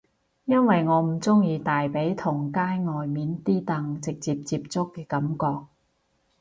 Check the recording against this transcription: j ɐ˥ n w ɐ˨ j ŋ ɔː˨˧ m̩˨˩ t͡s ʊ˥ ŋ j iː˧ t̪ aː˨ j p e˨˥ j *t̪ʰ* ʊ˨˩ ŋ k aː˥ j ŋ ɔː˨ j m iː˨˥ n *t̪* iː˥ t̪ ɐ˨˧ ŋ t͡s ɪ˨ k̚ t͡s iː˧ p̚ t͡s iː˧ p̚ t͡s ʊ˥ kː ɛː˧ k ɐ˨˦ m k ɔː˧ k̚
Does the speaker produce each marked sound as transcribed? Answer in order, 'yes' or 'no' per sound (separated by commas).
yes, yes